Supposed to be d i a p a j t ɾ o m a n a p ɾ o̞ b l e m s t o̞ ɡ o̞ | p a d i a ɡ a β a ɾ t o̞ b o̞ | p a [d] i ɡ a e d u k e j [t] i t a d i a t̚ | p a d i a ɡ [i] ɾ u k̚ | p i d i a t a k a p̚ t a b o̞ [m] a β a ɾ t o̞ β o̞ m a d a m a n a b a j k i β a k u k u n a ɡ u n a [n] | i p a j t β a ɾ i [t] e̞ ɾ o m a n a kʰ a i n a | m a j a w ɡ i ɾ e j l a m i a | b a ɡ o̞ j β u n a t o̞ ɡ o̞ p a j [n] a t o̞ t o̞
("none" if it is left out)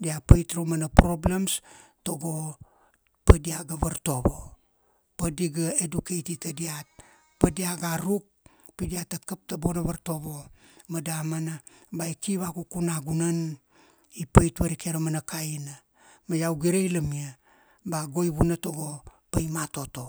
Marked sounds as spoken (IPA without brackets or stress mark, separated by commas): d, t, a, n, n, k, m